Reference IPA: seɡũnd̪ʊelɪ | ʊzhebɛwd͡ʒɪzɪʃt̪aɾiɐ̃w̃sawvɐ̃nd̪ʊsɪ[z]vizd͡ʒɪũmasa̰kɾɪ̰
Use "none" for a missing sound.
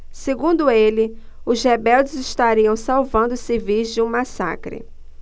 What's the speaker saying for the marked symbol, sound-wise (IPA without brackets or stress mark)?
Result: none